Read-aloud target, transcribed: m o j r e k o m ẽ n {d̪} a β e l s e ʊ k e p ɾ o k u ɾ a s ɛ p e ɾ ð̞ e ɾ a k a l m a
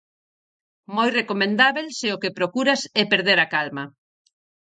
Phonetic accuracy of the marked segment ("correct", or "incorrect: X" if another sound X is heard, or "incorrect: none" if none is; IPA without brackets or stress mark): correct